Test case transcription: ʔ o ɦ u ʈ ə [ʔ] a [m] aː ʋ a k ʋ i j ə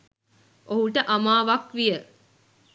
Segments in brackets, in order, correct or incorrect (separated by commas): correct, correct